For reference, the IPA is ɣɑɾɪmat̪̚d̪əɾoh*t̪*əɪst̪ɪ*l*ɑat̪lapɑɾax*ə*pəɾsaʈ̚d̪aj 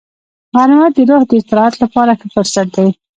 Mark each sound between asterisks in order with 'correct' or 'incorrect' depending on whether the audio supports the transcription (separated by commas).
incorrect, incorrect, correct